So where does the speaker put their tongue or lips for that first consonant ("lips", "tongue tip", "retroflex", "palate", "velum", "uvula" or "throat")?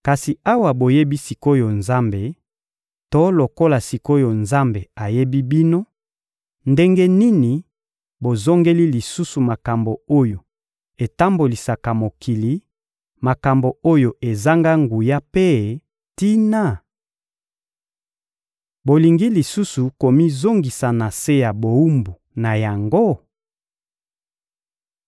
velum